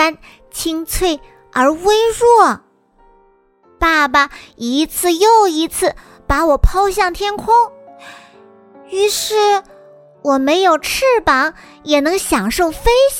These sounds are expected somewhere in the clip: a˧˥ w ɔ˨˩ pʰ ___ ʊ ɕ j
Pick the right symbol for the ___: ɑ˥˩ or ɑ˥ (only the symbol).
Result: ɑ˥